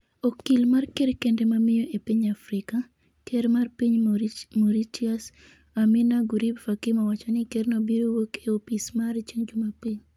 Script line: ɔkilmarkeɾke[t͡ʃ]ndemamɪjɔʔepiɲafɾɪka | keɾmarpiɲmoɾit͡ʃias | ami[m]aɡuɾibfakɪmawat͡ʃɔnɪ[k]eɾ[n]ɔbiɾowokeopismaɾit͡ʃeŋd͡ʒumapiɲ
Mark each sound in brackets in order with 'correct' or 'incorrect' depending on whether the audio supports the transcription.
incorrect: none, incorrect: n, correct, correct

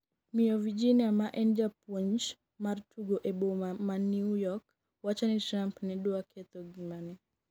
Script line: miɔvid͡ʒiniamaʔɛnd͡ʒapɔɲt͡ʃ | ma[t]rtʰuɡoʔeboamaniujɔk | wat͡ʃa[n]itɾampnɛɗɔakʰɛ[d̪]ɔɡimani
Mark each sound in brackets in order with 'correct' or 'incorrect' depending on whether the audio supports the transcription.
incorrect: none, correct, incorrect: t̪

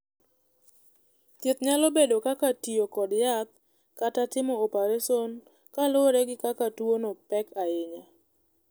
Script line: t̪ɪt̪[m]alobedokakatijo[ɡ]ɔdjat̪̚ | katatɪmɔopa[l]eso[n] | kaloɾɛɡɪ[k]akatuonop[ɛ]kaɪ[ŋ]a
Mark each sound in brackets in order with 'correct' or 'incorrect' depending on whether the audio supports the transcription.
incorrect: ɲ, incorrect: k, incorrect: ɾ, correct, correct, correct, incorrect: ɲ

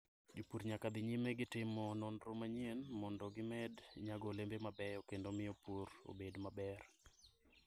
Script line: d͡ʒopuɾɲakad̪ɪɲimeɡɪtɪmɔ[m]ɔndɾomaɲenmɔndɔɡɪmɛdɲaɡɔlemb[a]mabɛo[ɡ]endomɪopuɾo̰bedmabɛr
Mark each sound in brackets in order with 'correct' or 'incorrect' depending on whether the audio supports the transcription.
incorrect: n, incorrect: e, incorrect: k

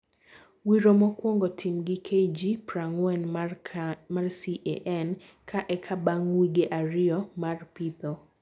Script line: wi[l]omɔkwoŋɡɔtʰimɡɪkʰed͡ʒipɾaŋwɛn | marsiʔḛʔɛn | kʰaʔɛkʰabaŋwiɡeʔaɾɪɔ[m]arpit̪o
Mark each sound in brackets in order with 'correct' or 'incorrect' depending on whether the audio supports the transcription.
incorrect: ɾ, correct

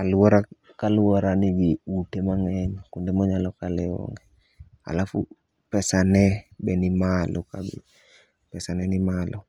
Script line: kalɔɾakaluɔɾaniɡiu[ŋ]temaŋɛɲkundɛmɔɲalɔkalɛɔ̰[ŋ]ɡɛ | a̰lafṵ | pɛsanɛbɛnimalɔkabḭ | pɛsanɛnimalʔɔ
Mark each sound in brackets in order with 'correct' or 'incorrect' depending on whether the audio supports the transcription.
incorrect: none, correct

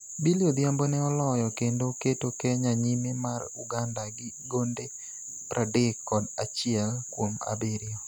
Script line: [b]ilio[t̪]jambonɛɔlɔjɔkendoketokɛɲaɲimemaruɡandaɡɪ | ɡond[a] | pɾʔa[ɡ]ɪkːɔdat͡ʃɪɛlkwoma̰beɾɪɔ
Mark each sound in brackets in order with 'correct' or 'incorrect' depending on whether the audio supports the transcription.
correct, incorrect: d̪, incorrect: e, incorrect: d

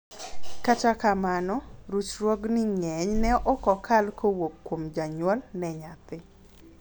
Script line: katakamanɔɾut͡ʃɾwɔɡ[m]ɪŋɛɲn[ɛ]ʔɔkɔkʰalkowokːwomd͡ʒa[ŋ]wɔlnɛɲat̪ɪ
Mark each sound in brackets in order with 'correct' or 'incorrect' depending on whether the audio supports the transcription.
incorrect: n, correct, incorrect: ɲ

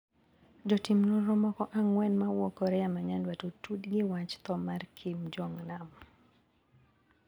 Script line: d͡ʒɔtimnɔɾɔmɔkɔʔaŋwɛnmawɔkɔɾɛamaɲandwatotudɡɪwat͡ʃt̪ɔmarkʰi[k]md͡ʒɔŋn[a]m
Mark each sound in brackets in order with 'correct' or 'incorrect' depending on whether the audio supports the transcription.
incorrect: none, correct

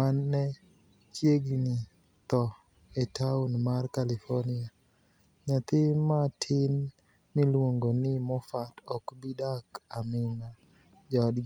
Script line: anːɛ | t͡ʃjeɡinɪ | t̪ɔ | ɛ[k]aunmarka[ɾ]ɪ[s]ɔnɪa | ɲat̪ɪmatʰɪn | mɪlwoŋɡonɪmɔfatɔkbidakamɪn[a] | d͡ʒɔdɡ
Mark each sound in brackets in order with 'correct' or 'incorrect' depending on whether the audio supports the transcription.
incorrect: t, incorrect: l, incorrect: f, correct

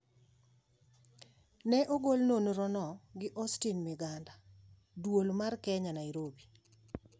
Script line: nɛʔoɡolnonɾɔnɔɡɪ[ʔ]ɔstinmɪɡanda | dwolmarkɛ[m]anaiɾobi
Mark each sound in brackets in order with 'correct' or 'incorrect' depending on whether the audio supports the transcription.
correct, incorrect: ɲ

